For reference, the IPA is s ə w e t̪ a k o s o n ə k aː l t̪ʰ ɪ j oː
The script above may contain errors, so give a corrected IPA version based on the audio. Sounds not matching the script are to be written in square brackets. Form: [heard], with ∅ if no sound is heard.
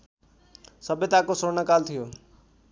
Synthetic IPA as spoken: s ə [b] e t̪ a k o s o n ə k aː l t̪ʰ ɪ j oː